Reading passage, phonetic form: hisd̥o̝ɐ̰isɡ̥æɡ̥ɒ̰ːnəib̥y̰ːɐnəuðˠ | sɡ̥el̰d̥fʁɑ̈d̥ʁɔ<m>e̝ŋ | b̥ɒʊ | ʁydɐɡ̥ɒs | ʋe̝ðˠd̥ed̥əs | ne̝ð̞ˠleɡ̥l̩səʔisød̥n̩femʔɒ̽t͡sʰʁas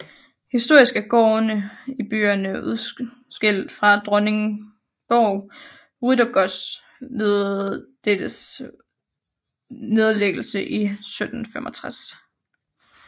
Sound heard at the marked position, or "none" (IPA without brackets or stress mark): n